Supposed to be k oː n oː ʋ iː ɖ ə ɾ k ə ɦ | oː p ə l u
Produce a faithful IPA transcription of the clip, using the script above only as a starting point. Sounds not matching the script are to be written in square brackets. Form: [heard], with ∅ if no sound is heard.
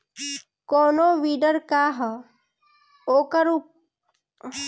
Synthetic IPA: k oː n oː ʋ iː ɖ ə ɾ k [a] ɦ | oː [k] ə [ɾ] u